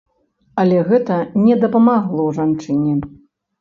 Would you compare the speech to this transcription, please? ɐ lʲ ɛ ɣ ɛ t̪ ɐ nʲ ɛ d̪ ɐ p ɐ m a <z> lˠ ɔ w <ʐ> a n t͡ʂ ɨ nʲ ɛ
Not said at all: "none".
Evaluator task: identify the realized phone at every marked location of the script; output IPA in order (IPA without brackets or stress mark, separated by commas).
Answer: ɣ, ʐ